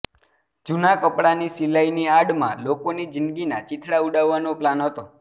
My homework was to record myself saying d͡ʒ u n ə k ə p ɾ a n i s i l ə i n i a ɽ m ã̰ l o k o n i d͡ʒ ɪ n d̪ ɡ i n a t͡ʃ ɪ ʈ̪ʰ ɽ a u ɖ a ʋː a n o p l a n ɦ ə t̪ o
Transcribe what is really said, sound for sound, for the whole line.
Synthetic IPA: d͡ʒ u n a k ə p ɽ a n i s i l a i n i a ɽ m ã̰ l o k o n i d͡ʒ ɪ n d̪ ɡ i n a t͡ʃ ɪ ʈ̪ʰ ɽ a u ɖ a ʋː a n o p l a n ɦ ə t̪ o